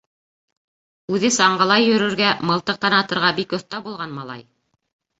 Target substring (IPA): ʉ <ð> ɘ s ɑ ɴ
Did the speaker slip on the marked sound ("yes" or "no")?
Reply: no